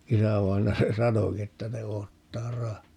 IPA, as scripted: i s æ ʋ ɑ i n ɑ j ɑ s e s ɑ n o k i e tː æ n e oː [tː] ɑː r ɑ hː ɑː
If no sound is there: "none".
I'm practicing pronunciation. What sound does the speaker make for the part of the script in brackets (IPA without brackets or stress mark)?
tː